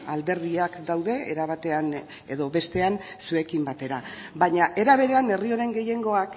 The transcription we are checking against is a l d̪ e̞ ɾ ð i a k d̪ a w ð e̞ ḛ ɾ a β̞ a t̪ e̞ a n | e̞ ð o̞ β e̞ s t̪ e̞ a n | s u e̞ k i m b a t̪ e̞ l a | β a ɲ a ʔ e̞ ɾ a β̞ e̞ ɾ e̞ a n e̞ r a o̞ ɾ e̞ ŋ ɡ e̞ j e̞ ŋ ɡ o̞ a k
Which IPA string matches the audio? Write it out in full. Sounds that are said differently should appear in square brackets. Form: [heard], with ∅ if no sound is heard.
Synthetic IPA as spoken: a l d̪ e̞ ɾ ð i a k d̪ a w ð e̞ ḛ ɾ a β̞ a t̪ e̞ a n | e̞ ð o̞ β e̞ s t̪ e̞ a n | s u e̞ k i m b a t̪ e̞ [ɾ] a | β a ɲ a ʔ e̞ ɾ a β̞ e̞ ɾ e̞ a n e̞ r [i] o̞ ɾ e̞ ŋ ɡ e̞ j e̞ ŋ ɡ o̞ a k